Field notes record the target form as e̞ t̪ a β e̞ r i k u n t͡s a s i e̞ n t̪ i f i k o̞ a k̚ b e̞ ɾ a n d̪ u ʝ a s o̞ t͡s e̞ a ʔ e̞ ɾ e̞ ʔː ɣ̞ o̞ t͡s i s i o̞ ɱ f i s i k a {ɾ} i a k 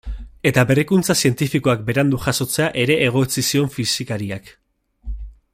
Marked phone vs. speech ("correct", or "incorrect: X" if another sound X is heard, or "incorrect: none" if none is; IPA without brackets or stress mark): correct